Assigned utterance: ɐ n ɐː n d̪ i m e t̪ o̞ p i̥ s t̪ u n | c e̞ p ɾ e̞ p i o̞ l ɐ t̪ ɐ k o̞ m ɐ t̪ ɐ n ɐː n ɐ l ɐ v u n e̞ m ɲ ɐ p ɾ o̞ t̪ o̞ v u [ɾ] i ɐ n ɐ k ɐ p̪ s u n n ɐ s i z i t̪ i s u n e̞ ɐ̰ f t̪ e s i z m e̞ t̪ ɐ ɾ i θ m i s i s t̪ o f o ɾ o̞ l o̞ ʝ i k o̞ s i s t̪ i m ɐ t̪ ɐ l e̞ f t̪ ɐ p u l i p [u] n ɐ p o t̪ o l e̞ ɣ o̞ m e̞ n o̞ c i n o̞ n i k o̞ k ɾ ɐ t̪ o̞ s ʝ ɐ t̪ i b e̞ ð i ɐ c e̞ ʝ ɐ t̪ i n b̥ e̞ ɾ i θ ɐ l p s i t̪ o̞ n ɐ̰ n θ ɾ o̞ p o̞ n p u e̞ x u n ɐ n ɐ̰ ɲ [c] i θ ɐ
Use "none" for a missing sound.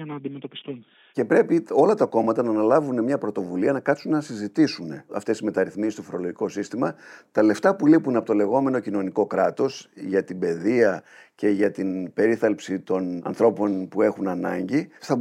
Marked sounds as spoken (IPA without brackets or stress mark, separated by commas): l, u, ɟ